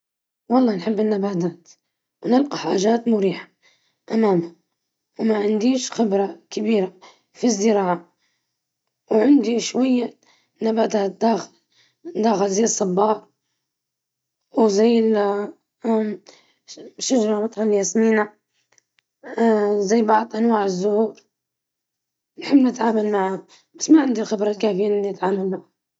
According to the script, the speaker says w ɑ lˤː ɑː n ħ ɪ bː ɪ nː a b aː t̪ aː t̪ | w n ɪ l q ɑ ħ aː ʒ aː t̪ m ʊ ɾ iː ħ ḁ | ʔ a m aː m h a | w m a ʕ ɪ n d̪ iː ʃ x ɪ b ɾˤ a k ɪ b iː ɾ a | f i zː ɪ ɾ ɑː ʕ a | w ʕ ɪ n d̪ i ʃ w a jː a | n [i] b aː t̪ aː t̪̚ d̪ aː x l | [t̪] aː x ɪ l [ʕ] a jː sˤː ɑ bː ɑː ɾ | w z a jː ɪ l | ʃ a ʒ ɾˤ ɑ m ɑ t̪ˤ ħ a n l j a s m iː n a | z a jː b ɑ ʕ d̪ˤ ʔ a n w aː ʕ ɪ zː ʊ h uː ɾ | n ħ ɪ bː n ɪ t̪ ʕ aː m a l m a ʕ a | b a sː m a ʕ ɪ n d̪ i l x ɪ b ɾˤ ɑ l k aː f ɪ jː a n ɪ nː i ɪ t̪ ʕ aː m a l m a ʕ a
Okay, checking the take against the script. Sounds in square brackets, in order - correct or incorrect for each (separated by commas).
incorrect, incorrect, incorrect